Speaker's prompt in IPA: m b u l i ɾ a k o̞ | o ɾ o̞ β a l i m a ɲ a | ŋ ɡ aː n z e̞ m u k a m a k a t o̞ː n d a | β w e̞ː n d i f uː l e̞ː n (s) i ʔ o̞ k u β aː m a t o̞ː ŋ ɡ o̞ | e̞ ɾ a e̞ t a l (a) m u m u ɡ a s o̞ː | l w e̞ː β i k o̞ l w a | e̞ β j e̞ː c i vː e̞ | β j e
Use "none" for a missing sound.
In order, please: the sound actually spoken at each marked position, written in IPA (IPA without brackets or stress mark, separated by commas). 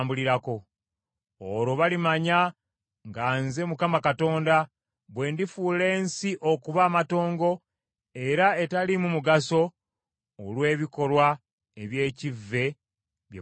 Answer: s, i